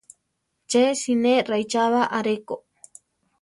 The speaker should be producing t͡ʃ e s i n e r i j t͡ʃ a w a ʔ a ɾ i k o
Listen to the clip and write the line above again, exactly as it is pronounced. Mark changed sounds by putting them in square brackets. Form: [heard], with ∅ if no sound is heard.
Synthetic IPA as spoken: t͡ʃ e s i n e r [a] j t͡ʃ a [β] a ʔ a ɾ [e] k o